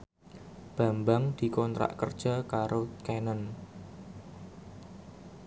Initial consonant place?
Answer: labial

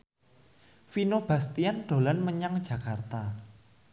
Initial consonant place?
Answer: labial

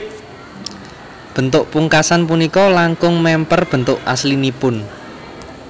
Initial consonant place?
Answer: labial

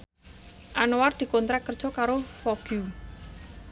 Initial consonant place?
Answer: glottal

